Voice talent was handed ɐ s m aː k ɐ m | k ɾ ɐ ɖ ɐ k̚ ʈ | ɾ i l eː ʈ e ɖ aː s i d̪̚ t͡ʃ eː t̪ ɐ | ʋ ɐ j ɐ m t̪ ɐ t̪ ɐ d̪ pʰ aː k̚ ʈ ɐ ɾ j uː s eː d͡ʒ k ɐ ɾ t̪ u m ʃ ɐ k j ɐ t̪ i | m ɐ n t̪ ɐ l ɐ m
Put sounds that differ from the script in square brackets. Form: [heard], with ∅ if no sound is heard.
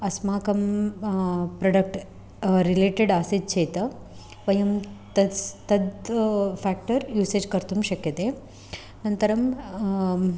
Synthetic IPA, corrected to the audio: ɐ s m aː k ɐ m | [p] ɾ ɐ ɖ ɐ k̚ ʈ | ɾ i l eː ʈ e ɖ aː s i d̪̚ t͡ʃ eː t̪ ɐ | ʋ ɐ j ɐ m t̪ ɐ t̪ ɐ d̪ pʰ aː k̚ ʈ ɐ ɾ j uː s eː d͡ʒ k ɐ ɾ t̪ u m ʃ ɐ k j ɐ t̪ [e] | [n] ɐ n t̪ ɐ [ɾ] ɐ m